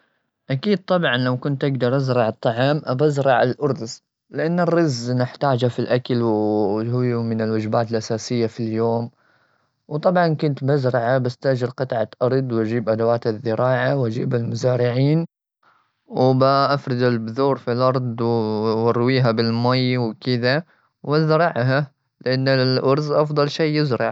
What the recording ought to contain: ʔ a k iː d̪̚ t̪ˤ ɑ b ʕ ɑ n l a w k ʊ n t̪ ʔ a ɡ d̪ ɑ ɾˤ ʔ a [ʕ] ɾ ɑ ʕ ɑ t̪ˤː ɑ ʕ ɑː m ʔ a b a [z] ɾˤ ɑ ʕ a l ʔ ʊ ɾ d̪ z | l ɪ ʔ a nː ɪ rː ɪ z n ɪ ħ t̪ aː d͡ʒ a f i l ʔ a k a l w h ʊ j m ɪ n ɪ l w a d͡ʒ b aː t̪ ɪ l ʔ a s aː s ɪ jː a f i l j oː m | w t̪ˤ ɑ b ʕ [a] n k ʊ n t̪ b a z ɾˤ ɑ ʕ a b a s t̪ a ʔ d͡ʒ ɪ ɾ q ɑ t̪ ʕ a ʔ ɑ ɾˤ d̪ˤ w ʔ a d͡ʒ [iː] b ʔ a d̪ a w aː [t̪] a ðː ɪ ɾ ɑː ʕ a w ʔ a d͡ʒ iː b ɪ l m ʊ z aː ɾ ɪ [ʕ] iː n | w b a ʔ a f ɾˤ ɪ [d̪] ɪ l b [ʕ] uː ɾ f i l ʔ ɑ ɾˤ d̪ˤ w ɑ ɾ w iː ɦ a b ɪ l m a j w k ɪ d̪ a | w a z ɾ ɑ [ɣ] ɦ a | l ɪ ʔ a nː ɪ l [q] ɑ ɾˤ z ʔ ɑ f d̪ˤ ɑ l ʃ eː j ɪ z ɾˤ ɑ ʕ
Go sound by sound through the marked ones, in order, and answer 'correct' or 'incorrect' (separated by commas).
incorrect, correct, incorrect, correct, correct, correct, correct, incorrect, incorrect, incorrect